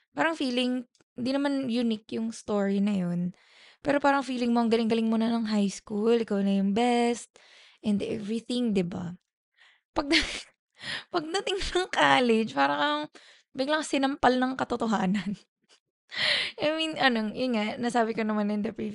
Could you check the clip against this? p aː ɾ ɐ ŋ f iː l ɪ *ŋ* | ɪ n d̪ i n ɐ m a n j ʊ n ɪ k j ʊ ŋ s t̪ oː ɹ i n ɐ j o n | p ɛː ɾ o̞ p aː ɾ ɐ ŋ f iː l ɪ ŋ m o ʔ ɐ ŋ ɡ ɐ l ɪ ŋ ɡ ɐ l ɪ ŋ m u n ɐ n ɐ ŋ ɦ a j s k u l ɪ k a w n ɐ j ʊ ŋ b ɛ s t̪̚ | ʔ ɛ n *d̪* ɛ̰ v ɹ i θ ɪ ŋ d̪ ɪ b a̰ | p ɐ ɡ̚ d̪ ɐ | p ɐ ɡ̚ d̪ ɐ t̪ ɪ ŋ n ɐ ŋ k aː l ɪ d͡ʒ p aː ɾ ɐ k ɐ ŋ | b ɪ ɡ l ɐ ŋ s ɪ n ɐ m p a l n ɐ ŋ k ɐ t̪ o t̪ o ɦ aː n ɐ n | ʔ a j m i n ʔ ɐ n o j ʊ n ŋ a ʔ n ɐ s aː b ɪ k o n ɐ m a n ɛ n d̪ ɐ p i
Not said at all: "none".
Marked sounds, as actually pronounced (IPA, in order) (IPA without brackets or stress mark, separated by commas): ŋ, d̪